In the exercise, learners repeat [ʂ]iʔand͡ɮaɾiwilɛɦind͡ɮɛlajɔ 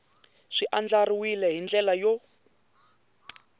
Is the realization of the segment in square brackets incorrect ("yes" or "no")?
no